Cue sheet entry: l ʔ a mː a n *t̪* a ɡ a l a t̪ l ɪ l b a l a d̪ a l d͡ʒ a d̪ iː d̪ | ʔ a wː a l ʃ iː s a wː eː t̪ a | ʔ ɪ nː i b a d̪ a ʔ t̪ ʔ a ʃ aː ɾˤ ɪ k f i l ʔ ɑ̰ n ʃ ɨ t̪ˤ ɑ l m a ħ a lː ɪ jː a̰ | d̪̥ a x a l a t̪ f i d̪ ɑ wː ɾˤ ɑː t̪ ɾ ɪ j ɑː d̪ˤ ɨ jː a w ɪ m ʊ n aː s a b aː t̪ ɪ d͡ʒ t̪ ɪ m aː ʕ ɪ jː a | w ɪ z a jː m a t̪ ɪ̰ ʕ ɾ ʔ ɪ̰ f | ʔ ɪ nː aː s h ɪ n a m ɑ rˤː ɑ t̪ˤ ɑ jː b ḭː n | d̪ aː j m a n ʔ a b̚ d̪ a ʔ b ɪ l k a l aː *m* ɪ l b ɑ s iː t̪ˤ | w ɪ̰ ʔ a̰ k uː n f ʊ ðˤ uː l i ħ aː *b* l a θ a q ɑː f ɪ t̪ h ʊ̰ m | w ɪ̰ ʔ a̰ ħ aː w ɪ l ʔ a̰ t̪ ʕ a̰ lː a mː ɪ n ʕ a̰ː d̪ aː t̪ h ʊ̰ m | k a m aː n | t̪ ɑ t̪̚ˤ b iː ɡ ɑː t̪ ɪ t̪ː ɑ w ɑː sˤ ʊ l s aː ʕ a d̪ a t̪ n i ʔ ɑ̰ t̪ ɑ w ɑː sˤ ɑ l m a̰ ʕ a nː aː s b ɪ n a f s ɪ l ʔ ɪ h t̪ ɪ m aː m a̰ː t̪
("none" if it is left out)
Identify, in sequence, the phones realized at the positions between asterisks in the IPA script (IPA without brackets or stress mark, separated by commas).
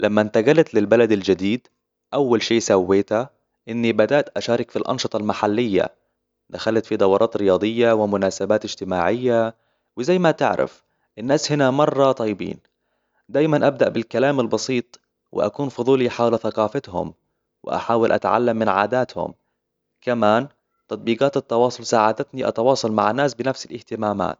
t̪, m, w